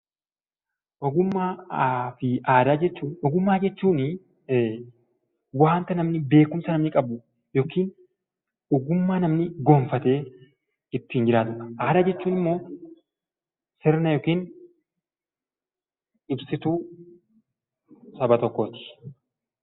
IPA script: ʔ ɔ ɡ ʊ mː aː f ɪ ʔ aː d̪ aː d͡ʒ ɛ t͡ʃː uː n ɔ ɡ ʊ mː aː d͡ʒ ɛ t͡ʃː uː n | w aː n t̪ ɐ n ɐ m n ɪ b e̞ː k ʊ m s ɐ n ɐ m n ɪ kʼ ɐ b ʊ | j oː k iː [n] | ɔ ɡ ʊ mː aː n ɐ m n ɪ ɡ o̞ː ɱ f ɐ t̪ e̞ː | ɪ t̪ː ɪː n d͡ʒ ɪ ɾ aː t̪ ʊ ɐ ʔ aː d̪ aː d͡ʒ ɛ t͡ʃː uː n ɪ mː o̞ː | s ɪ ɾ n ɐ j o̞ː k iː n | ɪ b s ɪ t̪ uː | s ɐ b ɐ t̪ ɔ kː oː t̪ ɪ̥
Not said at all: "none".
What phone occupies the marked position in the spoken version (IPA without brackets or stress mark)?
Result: n